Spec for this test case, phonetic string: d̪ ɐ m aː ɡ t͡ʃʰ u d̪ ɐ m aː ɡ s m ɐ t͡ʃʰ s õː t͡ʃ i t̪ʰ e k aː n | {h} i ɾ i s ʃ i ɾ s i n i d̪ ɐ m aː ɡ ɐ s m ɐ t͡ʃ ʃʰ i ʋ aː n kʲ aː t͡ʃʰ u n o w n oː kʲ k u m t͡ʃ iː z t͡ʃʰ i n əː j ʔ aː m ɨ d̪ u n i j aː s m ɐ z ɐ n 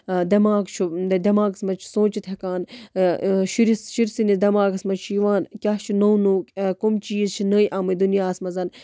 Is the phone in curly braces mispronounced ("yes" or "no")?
yes